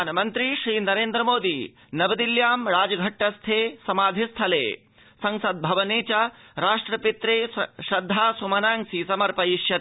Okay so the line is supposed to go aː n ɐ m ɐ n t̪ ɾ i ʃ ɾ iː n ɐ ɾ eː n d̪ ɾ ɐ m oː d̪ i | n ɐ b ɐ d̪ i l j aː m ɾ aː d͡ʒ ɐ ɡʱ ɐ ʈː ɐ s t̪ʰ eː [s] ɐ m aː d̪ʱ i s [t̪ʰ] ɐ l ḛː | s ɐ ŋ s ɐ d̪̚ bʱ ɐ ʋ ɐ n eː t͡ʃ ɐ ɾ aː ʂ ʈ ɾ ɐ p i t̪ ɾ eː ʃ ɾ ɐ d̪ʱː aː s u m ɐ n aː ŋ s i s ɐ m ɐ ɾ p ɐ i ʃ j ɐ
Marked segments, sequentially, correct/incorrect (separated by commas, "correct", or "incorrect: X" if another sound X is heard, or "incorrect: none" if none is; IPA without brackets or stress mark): correct, correct